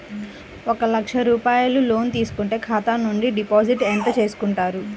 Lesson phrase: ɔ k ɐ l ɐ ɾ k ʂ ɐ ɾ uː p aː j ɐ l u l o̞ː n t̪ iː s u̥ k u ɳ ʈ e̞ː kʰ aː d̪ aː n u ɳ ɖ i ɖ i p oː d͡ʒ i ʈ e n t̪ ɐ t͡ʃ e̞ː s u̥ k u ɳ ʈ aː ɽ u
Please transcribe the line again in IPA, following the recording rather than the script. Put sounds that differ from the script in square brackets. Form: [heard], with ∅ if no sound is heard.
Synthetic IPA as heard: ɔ k ɐ l ɐ [∅] k ʂ ɐ ɾ uː p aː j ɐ l u l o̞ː n t̪ iː s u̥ k u ɳ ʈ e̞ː kʰ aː [t̪] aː n u ɳ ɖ i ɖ i p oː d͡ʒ i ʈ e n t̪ ɐ t͡ʃ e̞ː s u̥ k u ɳ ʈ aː [ɾ] u